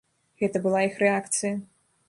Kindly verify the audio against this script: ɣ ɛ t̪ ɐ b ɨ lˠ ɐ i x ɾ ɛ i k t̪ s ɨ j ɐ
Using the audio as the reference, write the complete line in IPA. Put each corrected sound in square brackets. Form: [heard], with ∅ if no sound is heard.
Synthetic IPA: ɣ ɛ t̪ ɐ b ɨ lˠ [a] i x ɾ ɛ [a] k t̪ s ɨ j ɐ